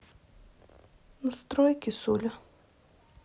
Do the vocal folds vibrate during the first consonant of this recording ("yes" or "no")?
yes